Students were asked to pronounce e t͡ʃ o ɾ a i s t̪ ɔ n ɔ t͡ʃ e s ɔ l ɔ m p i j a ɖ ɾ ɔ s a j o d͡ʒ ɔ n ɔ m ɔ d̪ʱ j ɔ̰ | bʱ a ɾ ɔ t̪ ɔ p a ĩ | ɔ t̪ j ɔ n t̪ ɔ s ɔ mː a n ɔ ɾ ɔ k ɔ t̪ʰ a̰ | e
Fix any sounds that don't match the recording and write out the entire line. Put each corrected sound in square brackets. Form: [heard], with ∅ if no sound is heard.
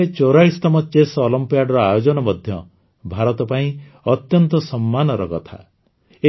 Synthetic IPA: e t͡ʃ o ɾ a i s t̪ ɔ [m] ɔ t͡ʃ e s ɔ l ɔ m p i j a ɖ ɾ ɔ [∅] a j o d͡ʒ ɔ n ɔ m ɔ d̪ʱ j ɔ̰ | bʱ a ɾ ɔ t̪ ɔ p a ĩ | ɔ t̪ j ɔ n t̪ ɔ s ɔ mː a n ɔ ɾ ɔ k ɔ t̪ʰ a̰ | e